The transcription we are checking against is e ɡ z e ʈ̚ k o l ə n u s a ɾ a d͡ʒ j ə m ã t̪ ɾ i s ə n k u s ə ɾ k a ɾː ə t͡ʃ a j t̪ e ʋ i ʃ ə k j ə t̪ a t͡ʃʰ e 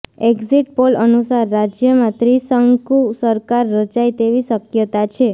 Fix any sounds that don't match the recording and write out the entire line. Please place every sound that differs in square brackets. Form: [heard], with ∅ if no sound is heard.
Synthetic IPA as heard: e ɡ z [i] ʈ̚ [p] o l ə n u s a [ɾː] a d͡ʒ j ə m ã t̪ ɾ i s ə [ŋ] k u s ə ɾ k a ɾː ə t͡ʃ a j t̪ e ʋ i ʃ ə k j ə t̪ a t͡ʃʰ e